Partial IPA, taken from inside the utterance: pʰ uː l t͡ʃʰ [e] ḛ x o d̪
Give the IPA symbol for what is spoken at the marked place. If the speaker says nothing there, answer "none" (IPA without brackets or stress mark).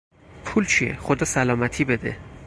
i